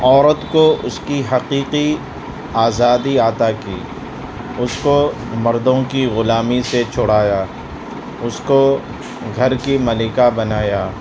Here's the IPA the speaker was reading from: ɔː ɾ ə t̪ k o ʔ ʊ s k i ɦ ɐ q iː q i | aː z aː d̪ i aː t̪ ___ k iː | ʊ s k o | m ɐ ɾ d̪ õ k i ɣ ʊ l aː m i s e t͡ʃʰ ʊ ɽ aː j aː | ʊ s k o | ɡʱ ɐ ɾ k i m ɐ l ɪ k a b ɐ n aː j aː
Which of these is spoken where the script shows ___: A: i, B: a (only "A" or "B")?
B